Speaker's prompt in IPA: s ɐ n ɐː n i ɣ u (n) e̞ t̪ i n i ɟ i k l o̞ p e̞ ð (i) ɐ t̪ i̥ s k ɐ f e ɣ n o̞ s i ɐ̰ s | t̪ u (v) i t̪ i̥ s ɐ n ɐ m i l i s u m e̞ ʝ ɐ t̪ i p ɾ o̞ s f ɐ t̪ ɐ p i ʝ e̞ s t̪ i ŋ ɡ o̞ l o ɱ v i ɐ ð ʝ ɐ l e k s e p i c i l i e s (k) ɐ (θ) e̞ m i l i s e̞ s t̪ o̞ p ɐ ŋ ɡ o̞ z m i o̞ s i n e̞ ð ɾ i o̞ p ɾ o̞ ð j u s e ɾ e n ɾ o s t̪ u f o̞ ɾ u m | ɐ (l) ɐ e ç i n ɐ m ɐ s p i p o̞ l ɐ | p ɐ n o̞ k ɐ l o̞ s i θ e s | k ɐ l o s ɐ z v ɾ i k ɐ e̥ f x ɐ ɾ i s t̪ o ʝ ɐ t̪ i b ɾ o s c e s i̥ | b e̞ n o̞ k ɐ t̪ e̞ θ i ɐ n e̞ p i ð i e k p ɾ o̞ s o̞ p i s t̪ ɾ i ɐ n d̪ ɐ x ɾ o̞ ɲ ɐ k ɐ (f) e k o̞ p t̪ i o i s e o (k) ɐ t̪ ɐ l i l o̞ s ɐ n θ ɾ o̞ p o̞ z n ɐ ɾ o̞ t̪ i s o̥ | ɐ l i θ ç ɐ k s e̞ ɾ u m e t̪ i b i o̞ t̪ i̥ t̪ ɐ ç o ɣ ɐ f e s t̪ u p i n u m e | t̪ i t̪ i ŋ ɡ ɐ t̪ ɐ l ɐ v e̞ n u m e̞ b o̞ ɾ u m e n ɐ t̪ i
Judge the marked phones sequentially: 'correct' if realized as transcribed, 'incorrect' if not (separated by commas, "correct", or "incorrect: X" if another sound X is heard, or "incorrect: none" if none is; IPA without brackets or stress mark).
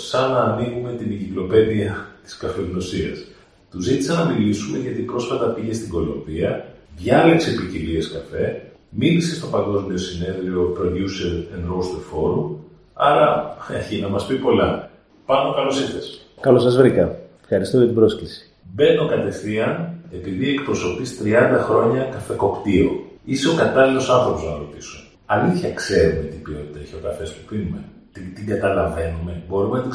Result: incorrect: m, correct, incorrect: z, correct, incorrect: f, incorrect: ɾ, correct, correct